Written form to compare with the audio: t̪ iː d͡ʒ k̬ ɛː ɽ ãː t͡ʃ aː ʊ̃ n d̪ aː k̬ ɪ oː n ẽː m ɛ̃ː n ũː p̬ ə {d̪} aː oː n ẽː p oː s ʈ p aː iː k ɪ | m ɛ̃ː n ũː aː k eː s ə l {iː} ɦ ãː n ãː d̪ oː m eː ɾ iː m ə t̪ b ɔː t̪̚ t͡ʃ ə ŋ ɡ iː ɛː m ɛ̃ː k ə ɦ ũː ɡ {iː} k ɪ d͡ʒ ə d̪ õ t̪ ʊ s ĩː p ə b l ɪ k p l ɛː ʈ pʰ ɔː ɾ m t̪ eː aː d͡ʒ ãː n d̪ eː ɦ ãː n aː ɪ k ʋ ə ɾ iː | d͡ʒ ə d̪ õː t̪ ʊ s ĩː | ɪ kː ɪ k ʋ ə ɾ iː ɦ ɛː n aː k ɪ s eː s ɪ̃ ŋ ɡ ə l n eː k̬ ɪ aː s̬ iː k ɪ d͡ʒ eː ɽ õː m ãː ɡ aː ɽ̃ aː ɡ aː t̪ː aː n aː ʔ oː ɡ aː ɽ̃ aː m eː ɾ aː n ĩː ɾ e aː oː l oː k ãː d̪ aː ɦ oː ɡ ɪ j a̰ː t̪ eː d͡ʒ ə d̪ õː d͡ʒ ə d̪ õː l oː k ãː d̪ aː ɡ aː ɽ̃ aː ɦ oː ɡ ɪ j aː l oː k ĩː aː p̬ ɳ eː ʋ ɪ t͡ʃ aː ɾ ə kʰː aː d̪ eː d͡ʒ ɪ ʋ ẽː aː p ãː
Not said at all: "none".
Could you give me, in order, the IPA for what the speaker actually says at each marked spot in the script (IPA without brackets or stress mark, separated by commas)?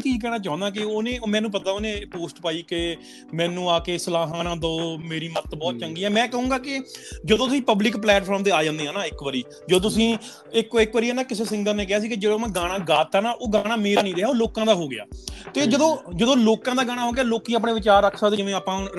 t̪, aː, aː